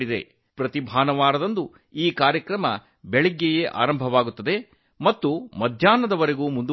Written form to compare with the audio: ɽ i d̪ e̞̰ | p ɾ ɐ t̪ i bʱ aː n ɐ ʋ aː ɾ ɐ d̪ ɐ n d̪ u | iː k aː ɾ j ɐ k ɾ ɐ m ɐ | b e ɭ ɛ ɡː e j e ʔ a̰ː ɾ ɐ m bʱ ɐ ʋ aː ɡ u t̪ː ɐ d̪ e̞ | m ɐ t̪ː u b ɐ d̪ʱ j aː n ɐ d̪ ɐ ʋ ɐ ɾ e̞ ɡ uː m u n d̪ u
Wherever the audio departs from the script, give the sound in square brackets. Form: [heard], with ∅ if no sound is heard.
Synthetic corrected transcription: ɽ i d̪ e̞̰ | p ɾ ɐ t̪ i bʱ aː n ɐ ʋ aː ɾ ɐ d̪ ɐ n d̪ u | iː k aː ɾ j ɐ k ɾ ɐ m ɐ | b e ɭ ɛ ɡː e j e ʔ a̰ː ɾ ɐ m bʱ ɐ ʋ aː ɡ u t̪ː ɐ d̪ e̞ | m ɐ t̪ː u [m] ɐ d̪ʱ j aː n ɐ d̪ ɐ ʋ ɐ ɾ e̞ ɡ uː m u n d̪ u

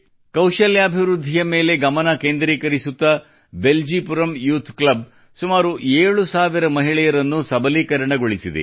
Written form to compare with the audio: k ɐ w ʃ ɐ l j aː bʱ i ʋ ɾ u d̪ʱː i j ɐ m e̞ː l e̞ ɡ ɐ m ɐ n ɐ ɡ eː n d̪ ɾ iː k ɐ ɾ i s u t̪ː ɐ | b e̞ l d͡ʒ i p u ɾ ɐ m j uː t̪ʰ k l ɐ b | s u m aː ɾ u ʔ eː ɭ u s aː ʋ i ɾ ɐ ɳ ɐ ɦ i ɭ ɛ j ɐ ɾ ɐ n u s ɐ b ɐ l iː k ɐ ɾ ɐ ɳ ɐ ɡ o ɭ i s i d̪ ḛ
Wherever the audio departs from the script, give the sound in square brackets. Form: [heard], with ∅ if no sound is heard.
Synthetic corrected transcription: k ɐ w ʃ ɐ l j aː bʱ i ʋ ɾ u d̪ʱː i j ɐ m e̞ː l e̞ ɡ ɐ m ɐ n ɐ [k] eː n d̪ ɾ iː k ɐ ɾ i s u t̪ː ɐ | b e̞ l d͡ʒ i p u ɾ ɐ m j uː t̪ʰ k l ɐ b | s u m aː ɾ u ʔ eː ɭ u s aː ʋ i ɾ ɐ [m] ɐ ɦ i ɭ ɛ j ɐ ɾ ɐ [nː] u s ɐ b ɐ l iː k ɐ ɾ ɐ ɳ ɐ ɡ o ɭ i s i d̪ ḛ

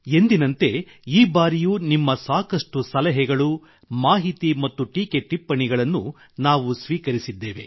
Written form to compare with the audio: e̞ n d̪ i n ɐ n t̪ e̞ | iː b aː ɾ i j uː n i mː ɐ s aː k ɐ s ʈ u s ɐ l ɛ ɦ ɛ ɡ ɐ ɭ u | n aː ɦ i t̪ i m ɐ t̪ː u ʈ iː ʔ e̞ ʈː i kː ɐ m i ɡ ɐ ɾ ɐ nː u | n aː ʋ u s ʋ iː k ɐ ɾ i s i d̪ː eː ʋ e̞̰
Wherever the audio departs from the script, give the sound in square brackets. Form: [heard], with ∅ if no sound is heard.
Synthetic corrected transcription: e̞ n d̪ i n ɐ n t̪ e̞ | iː b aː ɾ i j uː n i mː ɐ s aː k ɐ [ʂ] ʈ u s ɐ l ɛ ɦ ɛ ɡ ɐ ɭ u | [m] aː ɦ i t̪ i m ɐ t̪ː u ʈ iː [k] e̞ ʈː i [pː] ɐ [ɳ] i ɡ ɐ [ɭ] ɐ nː u | n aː ʋ u s ʋ iː k ɐ ɾ i s i d̪ː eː ʋ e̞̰

